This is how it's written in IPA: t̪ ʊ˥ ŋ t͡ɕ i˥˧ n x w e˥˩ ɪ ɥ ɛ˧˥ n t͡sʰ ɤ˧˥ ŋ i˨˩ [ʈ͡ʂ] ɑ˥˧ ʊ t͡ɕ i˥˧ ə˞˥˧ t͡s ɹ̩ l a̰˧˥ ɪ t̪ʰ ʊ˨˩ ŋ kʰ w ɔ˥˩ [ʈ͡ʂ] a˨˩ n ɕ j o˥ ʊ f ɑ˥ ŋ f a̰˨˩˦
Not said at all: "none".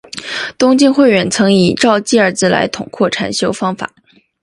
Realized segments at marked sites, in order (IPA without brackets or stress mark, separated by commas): ʈ͡ʂ, ʈ͡ʂʰ